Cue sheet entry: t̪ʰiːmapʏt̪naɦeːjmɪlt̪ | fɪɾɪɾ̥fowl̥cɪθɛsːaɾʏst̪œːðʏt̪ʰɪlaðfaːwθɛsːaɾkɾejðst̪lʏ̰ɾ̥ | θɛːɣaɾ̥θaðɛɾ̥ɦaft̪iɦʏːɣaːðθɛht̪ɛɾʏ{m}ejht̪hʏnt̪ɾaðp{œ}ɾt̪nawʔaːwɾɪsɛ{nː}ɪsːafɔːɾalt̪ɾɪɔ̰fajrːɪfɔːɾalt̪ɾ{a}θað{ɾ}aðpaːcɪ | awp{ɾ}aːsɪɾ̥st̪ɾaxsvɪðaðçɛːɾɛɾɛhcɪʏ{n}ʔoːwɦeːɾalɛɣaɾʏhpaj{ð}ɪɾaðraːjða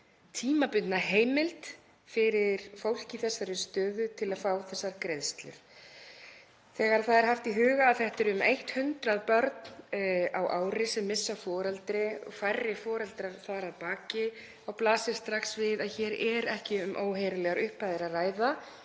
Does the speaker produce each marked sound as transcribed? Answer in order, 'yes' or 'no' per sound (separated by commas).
yes, yes, no, yes, yes, no, no, yes